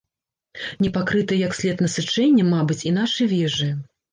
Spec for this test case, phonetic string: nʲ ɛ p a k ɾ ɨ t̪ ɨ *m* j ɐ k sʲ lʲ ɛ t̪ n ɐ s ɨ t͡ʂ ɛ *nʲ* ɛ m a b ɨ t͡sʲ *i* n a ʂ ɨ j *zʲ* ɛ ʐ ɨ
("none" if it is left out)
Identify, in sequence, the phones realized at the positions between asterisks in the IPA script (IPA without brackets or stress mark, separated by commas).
none, nʲː, i, vʲ